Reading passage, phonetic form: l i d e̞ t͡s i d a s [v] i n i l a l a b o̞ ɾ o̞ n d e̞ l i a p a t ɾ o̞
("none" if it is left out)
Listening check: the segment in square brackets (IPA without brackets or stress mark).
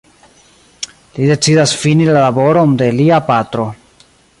f